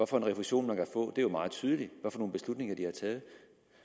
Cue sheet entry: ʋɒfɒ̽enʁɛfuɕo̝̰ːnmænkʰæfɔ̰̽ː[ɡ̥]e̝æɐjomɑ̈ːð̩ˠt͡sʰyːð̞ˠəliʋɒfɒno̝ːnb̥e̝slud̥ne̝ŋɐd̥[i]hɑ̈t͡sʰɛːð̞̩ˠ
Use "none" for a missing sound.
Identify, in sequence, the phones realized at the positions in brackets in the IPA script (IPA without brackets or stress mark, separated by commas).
d̥, i